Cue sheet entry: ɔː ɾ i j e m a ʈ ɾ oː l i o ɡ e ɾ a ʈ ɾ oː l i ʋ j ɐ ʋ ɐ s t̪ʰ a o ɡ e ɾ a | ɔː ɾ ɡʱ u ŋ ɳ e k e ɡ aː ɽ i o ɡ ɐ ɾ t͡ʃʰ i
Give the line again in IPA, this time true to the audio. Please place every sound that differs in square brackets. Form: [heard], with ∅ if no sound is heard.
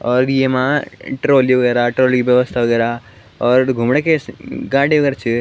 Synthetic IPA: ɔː ɾ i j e m a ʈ ɾ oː l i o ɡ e ɾ a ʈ ɾ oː l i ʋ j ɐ ʋ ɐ s t̪ʰ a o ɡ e ɾ a | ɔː ɾ ɡʱ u [m] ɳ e k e ɡ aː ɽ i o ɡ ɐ ɾ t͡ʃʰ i